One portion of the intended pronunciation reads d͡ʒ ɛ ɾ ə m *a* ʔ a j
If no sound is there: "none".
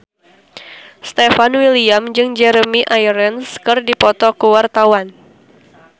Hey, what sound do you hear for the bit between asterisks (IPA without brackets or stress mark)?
i